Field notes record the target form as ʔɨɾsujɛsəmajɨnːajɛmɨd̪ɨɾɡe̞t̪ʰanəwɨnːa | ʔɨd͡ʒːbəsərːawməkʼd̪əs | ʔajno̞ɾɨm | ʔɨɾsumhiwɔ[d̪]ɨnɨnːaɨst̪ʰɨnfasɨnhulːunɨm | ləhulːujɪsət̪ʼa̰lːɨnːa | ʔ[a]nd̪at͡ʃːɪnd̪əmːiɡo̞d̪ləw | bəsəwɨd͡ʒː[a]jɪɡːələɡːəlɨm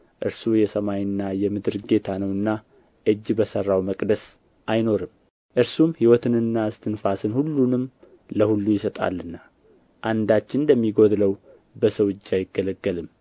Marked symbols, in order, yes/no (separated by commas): no, yes, yes